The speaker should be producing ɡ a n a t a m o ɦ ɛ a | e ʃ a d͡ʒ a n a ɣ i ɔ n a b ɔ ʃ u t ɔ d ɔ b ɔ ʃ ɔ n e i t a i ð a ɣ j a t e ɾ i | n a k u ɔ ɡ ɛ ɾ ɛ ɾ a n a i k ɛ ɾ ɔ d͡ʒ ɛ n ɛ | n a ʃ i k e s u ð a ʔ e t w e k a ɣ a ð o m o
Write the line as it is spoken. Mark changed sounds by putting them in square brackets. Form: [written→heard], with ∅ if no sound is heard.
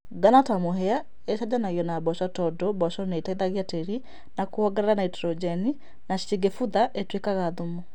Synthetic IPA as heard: ɡ a n a t a m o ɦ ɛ a | e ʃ a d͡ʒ a n a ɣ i ɔ n a b ɔ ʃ [u→ɔ] t ɔ d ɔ b ɔ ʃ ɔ n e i t a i ð a ɣ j a t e ɾ i | n a k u ɔ ɡ ɛ ɾ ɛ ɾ a n a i [k→t] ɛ ɾ ɔ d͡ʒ ɛ n [ɛ→i] | n a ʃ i [k→ɡ] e [s→f] u ð a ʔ e t w e k a ɣ a ð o m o